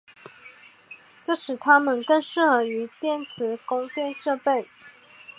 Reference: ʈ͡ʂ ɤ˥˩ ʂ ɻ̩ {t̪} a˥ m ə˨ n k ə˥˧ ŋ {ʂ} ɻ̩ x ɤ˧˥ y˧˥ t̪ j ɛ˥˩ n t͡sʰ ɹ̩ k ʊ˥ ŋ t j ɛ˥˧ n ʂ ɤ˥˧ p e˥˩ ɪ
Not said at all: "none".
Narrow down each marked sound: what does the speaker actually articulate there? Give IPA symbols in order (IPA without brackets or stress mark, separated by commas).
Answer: t̪ʰ, ʂ